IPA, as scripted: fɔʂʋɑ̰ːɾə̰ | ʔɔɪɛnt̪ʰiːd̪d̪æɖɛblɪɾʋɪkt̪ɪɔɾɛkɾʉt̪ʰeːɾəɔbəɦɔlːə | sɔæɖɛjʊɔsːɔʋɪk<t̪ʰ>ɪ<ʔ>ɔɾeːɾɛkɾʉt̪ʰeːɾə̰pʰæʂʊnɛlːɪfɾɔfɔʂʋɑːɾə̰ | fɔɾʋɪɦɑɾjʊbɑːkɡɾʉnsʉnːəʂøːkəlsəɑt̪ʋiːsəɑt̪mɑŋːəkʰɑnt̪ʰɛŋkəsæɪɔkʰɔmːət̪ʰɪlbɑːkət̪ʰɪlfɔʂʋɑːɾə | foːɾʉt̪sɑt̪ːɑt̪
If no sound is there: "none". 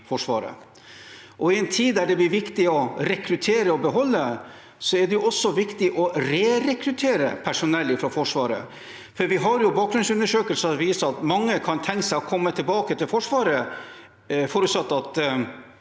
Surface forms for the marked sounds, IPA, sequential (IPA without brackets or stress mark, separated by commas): t̪, ʔ